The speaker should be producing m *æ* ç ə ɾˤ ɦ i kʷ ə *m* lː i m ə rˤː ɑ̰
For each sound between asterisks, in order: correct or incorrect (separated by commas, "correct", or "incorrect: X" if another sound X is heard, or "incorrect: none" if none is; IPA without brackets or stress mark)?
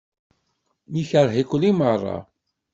incorrect: i, incorrect: none